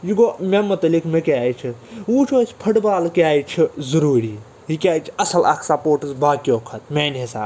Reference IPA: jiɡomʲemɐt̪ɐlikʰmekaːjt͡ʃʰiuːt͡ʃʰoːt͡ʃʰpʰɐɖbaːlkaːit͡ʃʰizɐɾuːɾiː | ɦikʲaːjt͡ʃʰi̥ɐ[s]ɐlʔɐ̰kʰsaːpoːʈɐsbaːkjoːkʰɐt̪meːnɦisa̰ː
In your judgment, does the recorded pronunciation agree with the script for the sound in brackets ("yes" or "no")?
yes